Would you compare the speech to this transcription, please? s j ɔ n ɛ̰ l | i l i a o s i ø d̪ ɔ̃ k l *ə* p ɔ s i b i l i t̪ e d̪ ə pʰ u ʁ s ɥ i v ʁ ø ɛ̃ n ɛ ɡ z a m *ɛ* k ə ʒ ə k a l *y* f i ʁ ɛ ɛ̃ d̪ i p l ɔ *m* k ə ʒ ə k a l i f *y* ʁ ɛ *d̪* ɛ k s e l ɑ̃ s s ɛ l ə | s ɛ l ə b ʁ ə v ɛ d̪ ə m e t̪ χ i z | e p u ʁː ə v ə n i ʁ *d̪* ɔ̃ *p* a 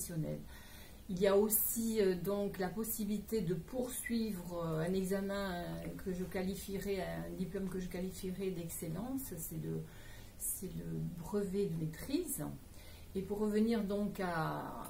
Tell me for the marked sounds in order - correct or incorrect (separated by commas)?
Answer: incorrect, incorrect, incorrect, correct, incorrect, correct, correct, incorrect